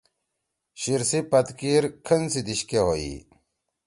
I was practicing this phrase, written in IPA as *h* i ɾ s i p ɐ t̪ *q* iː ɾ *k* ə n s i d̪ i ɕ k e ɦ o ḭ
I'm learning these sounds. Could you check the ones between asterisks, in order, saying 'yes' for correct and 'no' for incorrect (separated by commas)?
no, no, no